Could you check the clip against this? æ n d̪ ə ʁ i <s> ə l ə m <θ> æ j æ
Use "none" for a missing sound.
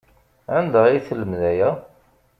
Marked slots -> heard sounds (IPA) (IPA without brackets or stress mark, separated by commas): θ, ð